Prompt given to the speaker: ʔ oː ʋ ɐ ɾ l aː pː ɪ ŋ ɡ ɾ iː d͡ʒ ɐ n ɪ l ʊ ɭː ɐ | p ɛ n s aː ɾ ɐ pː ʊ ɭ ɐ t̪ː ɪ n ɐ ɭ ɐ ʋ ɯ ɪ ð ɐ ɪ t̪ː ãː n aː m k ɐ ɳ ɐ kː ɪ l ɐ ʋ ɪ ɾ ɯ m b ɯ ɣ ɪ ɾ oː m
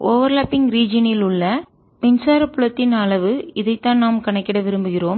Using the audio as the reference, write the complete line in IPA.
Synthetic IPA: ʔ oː ʋ ɐ ɾ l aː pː ɪ ŋ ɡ ɾ iː d͡ʒ ɐ n ɪ l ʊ ɭː ɐ | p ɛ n s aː ɾ ɐ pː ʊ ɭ ɐ t̪ː ɪ n ɐ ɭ ɐ ʋ ɯ ɪ ð ɐ ɪ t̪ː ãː n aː m k ɐ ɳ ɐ kː ɪ ɽ ɐ ʋ ɪ ɾ ɯ m b ɯ ɣ ɪ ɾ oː m